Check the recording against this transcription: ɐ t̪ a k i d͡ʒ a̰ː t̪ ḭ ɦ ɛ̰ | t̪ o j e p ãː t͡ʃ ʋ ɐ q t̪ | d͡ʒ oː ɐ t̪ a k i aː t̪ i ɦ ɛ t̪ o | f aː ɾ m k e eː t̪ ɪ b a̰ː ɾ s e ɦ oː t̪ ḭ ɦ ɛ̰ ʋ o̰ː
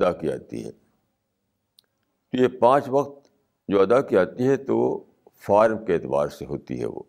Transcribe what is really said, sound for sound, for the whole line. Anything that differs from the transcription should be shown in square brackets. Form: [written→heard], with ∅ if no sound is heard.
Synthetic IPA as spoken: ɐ [t̪→d̪] a k i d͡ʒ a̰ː t̪ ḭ ɦ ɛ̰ | t̪ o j e p ãː t͡ʃ ʋ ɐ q t̪ | d͡ʒ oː ɐ [t̪→d̪] a k i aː t̪ i ɦ ɛ t̪ o | f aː ɾ m k e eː t̪ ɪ b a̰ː ɾ s e ɦ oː t̪ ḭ ɦ ɛ̰ ʋ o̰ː